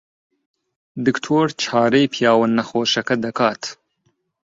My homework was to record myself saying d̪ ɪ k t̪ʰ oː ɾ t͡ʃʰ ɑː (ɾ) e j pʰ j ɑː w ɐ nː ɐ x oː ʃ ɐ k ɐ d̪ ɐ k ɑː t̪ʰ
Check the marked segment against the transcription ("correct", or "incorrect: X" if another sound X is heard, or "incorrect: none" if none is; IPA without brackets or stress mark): correct